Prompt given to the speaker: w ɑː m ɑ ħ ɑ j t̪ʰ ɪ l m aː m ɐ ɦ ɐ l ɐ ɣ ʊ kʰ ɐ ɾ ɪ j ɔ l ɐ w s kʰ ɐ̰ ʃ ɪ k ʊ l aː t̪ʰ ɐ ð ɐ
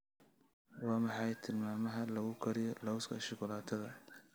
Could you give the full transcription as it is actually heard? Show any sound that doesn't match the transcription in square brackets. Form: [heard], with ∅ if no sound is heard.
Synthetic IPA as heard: w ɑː m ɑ ħ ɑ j t̪ʰ ɪ l m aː m ɐ ɦ ɐ l ɐ ɣ ʊ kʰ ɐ ɾ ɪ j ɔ l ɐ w s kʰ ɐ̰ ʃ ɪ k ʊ l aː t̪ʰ ɐ ð ɐ